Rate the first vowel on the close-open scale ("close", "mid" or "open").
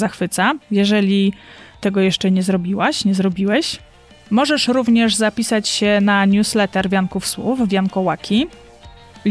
open